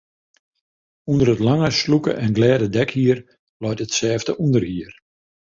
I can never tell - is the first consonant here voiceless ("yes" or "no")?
no